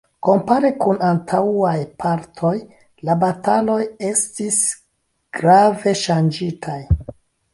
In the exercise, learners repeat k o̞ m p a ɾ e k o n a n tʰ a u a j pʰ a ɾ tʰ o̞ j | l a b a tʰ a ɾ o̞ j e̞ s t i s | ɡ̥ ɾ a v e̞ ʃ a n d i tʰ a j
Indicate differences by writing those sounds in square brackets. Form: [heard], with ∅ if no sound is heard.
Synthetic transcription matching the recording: k o̞ m p a ɾ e k [u] n a n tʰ a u a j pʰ a ɾ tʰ o̞ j | l a b a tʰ a [l] o̞ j e̞ s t i s | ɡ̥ ɾ a v e̞ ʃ a n [d͡ʒ] i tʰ a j